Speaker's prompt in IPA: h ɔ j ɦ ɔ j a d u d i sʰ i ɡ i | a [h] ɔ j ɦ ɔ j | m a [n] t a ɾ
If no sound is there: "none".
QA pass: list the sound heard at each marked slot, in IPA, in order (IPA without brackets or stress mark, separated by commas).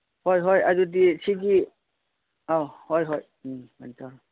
h, n